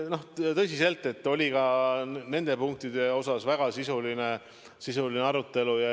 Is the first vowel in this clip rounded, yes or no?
yes